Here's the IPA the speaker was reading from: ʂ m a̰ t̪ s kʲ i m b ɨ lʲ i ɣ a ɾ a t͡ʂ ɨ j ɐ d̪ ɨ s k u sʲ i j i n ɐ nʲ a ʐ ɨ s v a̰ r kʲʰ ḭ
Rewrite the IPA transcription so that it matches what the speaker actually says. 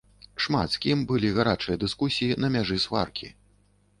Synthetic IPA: ʂ m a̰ t̪ s kʲ i m b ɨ lʲ i ɣ a ɾ a t͡ʂ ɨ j ɐ d̪ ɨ s k u sʲ i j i n ɐ mʲ a ʐ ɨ s v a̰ r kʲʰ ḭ